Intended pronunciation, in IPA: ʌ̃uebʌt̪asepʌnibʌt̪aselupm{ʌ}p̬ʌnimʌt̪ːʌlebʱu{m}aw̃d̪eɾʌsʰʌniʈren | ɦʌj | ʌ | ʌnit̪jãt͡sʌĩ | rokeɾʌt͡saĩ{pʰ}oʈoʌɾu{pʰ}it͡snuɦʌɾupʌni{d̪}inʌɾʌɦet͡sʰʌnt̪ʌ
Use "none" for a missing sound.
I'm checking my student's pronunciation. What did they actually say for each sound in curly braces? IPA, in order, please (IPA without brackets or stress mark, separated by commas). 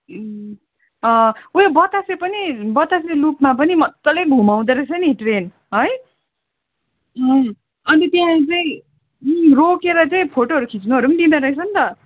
a, m, pʰ, kʰ, d̪